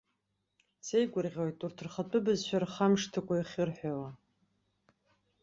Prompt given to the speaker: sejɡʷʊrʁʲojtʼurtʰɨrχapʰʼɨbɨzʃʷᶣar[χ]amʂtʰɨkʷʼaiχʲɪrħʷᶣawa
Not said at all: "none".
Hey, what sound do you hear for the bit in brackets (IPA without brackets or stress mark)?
χ